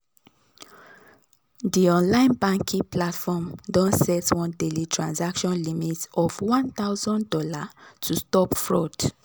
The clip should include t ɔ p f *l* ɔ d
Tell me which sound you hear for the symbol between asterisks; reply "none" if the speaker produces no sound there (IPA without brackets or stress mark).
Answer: ɹ